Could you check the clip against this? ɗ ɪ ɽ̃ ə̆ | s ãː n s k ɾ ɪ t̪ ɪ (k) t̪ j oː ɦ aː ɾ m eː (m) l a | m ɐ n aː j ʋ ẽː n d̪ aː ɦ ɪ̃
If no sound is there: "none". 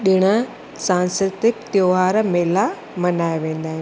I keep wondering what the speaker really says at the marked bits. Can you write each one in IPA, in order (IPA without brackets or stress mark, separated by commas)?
k, none